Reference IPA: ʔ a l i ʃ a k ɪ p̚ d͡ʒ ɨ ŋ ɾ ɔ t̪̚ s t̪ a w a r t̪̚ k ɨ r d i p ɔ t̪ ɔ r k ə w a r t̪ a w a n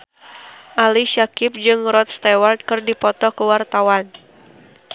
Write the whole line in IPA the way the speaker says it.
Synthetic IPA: ʔ a l i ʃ a k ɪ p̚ d͡ʒ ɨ ŋ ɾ ɔ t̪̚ s t̪ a w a r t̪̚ k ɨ r d i p ɔ t̪ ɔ k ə w a r t̪ a w a n